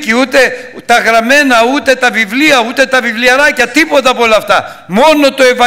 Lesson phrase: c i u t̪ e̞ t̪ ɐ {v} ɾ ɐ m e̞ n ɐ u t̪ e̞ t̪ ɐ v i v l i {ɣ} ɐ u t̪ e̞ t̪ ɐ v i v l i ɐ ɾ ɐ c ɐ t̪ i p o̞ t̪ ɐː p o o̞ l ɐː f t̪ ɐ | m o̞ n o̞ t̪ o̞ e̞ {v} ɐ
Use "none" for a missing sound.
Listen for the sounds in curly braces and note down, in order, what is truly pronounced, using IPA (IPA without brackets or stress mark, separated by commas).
ɣ, none, v